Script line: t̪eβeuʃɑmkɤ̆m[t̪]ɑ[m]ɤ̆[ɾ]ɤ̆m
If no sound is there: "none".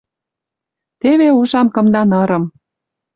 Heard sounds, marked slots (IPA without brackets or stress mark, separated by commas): d̪, n, ɾ